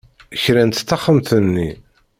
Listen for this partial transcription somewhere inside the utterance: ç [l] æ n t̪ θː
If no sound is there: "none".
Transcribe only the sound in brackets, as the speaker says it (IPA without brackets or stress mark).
ɾ